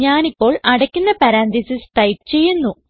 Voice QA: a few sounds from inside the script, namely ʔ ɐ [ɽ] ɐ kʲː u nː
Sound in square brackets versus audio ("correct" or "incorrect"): correct